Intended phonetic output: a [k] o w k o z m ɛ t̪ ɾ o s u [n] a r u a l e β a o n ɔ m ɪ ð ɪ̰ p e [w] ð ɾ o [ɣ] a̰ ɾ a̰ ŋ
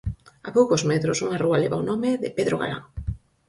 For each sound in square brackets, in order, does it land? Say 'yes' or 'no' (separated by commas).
no, no, no, yes